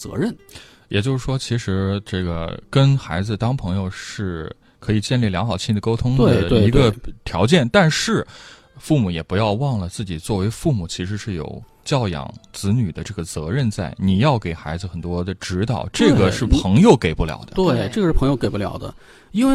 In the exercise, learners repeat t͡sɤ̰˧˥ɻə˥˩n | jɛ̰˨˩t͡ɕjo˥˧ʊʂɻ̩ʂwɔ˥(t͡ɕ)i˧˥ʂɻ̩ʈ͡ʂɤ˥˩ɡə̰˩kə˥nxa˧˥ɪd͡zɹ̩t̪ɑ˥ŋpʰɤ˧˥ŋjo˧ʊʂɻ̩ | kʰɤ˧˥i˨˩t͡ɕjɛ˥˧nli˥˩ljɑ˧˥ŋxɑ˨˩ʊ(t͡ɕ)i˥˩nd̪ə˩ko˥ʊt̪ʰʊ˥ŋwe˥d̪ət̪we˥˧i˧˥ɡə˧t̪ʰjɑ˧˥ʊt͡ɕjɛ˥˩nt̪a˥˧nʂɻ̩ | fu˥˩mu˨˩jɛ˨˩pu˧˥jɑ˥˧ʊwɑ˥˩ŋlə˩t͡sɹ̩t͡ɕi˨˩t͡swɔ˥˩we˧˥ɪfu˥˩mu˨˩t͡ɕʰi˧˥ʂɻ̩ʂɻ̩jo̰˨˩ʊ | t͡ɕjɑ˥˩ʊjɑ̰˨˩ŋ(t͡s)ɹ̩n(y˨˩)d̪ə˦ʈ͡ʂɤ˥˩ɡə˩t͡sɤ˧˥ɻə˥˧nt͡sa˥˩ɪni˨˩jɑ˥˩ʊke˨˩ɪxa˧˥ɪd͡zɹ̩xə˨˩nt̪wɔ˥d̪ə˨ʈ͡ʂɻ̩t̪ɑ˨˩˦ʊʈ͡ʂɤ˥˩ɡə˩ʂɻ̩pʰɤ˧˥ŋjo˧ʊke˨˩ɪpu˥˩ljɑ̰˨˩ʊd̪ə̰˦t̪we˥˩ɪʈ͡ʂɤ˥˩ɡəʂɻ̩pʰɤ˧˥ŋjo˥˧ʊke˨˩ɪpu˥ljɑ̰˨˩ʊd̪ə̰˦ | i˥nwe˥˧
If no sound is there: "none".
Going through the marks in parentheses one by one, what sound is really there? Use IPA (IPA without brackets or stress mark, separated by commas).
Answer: t͡ɕʰ, t͡ɕʰ, t͡s, y˨˩